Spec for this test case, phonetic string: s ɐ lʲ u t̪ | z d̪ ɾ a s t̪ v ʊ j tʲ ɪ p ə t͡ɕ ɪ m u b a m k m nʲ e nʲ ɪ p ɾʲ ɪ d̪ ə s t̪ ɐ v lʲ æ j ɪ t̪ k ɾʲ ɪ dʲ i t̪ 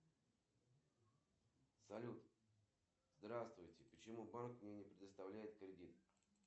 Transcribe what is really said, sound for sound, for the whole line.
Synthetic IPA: s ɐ lʲ u t̪ | z d̪ ɾ a s t̪ v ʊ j tʲ ɪ p ə t͡ɕ ɪ m u b a n k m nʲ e nʲ ɪ p ɾʲ ɪ d̪ ə s t̪ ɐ v lʲ æ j ɪ t̪ k ɾʲ ɪ dʲ i t̪